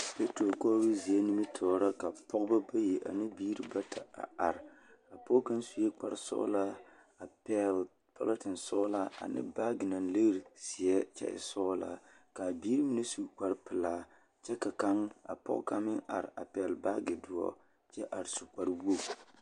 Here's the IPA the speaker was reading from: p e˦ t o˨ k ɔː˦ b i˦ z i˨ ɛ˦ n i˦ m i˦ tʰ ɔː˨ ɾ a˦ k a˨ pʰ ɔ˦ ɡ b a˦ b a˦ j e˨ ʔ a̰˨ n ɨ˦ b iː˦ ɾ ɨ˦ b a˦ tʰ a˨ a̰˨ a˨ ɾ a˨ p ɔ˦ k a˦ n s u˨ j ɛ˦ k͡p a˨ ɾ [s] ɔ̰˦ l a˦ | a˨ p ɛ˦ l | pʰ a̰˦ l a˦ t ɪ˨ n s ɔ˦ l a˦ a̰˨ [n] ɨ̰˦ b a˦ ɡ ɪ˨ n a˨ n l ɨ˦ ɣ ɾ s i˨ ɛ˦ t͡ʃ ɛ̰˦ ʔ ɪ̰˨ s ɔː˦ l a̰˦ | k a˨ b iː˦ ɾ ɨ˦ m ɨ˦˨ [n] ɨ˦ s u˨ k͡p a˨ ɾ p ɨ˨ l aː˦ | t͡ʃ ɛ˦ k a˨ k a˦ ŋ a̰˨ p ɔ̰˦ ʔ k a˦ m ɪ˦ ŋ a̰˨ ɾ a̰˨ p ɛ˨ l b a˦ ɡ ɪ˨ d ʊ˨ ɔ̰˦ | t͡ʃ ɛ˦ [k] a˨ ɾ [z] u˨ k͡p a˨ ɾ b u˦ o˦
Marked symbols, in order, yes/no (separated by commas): yes, yes, yes, no, no